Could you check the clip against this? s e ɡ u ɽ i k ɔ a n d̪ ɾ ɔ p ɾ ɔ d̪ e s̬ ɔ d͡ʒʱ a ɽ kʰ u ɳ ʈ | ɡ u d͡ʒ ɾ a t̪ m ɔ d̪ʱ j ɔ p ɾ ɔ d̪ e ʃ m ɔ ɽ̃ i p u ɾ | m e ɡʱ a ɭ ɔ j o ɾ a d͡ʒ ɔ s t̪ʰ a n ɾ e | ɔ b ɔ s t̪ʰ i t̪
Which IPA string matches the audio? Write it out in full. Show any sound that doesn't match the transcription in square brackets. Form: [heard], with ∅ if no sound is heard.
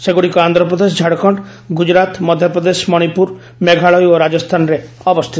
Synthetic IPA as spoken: s e ɡ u ɽ i k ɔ a n d̪ ɾ ɔ p ɾ ɔ d̪ e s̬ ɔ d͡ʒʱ a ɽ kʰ [ɔ] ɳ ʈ | ɡ u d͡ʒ ɾ a t̪ m ɔ d̪ʱ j ɔ p ɾ ɔ d̪ e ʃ m ɔ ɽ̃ i p u ɾ | m e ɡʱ a ɭ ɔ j o ɾ a d͡ʒ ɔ s t̪ʰ a n ɾ e | ɔ b ɔ s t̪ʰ i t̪

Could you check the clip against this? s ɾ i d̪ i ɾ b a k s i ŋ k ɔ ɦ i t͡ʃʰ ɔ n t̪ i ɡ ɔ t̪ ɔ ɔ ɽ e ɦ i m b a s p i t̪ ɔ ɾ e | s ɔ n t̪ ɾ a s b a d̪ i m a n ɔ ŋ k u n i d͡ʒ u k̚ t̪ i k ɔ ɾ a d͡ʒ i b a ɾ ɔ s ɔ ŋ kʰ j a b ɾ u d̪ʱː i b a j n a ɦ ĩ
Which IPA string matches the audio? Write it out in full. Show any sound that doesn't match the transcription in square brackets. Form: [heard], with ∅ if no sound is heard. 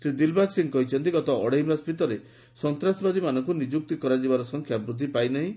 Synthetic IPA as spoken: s ɾ i d̪ i [l] b a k s i ŋ k ɔ ɦ i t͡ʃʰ ɔ n t̪ i ɡ ɔ t̪ ɔ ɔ ɽ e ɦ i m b a s p i t̪ ɔ ɾ e | s ɔ n t̪ ɾ a s b a d̪ i m a n ɔ ŋ k u n i d͡ʒ u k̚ t̪ i k ɔ ɾ a d͡ʒ i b a ɾ ɔ s ɔ ŋ kʰ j a b ɾ u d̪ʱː i [p] a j n a ɦ ĩ

